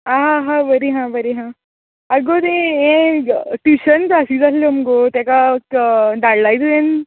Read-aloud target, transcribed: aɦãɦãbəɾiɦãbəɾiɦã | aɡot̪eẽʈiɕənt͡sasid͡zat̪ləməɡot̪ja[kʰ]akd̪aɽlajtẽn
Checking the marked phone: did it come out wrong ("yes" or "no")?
yes